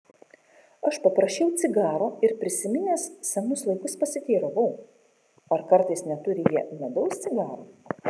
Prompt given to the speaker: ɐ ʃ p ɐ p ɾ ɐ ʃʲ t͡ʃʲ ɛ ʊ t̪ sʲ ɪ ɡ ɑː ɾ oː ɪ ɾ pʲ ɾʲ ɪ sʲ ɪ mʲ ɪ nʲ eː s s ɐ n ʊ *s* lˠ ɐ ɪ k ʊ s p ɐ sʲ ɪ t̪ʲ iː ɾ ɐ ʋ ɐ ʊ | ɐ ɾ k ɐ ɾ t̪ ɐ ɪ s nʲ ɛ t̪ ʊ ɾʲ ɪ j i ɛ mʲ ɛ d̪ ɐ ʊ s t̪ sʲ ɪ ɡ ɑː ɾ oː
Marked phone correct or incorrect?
correct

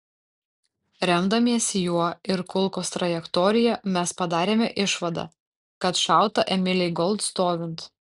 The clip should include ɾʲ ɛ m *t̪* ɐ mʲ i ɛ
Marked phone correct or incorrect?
incorrect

